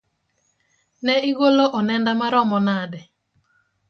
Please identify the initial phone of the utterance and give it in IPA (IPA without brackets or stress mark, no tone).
n